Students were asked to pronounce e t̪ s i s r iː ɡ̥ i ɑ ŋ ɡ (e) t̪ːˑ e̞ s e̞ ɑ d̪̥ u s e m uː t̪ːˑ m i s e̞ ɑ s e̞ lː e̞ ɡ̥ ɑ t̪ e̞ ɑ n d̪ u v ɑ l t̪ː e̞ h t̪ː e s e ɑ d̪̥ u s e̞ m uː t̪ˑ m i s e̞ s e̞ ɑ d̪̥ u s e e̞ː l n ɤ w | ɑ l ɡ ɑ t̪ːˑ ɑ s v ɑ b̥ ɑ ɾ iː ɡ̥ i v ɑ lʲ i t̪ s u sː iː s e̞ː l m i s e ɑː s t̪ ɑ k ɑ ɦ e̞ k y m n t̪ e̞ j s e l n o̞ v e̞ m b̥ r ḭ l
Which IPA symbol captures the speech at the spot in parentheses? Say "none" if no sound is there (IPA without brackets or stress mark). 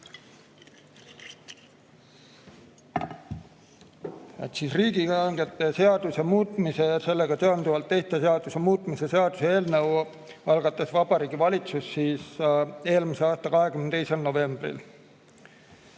e